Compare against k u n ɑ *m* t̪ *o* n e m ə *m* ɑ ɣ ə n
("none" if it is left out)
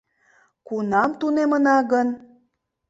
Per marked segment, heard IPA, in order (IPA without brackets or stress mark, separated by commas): m, u, n